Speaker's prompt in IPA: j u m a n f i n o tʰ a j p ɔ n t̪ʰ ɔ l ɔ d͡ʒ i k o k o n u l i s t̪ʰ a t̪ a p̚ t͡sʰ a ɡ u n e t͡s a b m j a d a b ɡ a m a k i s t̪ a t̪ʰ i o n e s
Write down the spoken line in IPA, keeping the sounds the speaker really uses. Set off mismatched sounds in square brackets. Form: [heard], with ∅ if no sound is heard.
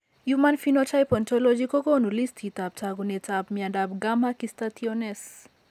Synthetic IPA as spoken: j u m a n f i n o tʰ a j p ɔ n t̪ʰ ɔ l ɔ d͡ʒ i k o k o n u l i s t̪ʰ [i] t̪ a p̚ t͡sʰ a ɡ u n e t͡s a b m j a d a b ɡ a m a k i s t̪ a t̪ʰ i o n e s